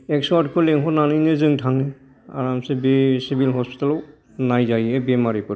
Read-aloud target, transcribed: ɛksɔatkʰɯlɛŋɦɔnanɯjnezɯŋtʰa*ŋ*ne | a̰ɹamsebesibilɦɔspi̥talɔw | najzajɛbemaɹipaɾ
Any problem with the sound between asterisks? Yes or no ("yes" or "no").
no